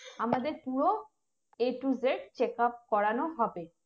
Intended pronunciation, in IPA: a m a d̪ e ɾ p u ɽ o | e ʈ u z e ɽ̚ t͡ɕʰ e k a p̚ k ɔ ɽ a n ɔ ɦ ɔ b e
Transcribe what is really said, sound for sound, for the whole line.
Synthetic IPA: a m a d̪ e ɾ p u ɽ o | e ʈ u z e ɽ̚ t͡ɕ e k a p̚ k ɔ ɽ a n o ɦ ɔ b e

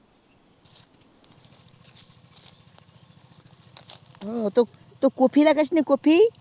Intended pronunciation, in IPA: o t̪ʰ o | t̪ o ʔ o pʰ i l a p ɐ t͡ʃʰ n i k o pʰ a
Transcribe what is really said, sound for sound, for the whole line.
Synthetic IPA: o t̪ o | t̪ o k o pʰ i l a k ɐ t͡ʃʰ n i k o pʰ i

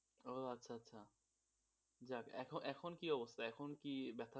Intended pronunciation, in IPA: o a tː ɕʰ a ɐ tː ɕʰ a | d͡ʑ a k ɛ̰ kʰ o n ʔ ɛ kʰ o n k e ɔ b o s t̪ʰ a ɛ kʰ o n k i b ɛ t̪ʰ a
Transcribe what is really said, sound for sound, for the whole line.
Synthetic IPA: o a tː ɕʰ a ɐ tː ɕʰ a | d͡ʑ a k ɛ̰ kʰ o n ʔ ɛ kʰ o n k i ɔ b o s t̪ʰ a ɛ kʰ o n k i b ɛ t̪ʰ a

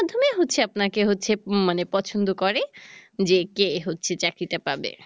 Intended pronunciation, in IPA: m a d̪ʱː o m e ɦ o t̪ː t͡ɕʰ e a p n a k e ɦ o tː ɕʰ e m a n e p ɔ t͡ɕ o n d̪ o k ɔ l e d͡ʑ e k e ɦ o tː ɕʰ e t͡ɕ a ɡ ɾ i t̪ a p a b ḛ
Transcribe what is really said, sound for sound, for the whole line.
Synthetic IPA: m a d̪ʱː o m e ɦ o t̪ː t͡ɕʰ e a p n a k e ɦ o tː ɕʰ e m a n e p ɔ t͡ɕʰ o n d̪ o k ɔ ɾ e d͡ʑ e k e ɦ o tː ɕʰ e t͡ɕ a k ɾ i t̪ a p a b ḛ

